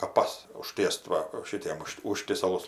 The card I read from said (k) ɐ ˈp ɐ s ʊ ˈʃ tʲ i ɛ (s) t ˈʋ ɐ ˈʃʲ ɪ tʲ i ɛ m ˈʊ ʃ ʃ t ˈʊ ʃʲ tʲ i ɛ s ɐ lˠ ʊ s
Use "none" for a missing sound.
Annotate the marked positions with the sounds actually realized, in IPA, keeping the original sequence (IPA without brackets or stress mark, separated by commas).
k, s